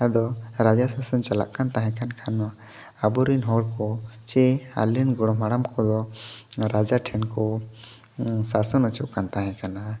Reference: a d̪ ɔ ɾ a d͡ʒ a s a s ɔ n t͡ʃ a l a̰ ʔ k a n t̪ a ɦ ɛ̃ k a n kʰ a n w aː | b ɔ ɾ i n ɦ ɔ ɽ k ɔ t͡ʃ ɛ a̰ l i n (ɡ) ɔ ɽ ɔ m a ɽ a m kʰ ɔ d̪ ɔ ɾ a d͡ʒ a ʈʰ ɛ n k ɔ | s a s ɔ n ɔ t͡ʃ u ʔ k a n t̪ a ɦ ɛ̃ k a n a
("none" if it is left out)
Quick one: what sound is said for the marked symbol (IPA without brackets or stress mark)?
ɡ